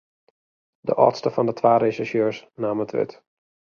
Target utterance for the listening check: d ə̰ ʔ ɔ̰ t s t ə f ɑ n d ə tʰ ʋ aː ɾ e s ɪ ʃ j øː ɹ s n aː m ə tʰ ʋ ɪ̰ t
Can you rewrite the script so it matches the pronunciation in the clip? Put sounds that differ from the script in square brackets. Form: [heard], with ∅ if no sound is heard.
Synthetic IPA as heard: d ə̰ ʔ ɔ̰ t s t ə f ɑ n d ə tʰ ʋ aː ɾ e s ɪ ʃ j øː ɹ s n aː m ə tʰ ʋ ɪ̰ t